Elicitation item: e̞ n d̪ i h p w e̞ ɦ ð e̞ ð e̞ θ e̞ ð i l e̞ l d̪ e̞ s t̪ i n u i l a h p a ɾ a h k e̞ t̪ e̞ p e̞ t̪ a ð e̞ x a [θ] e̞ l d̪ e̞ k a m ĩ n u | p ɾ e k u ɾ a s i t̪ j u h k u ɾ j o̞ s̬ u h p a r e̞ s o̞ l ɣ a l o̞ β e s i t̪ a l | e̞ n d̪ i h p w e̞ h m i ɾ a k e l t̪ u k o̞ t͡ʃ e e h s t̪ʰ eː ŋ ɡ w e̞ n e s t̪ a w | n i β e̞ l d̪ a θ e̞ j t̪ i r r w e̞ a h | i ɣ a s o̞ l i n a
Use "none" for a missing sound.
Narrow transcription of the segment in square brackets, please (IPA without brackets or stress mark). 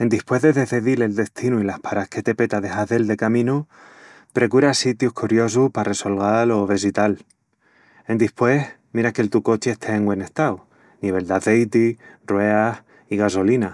ð